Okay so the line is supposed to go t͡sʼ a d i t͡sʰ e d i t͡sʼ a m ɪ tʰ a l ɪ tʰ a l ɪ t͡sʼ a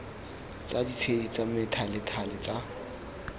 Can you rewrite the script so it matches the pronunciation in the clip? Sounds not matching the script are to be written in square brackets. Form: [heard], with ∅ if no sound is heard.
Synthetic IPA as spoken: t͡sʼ a d i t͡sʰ e d i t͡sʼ a m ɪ tʰ a l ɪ tʰ a l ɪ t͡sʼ a